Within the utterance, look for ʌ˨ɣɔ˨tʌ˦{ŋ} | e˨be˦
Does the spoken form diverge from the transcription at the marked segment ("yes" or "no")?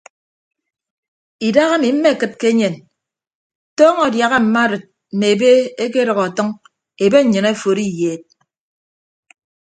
no